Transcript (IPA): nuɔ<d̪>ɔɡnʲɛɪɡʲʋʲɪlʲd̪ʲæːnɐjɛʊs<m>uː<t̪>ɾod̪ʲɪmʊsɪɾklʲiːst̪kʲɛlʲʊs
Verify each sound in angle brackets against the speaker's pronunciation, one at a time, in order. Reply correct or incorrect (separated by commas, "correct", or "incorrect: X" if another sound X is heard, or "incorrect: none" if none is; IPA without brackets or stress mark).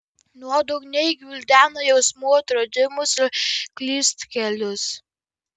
correct, correct, correct